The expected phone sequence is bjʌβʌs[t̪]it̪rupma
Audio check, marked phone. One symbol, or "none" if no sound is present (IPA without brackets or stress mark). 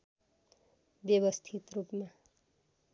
t̪ʰ